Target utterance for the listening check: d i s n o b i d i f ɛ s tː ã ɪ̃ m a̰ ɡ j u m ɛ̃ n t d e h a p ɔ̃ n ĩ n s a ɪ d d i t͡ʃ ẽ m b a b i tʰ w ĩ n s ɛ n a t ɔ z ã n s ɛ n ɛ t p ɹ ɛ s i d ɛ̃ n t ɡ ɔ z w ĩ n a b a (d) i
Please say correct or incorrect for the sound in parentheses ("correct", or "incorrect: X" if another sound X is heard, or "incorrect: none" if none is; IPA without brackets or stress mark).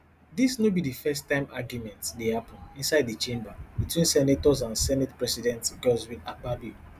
incorrect: b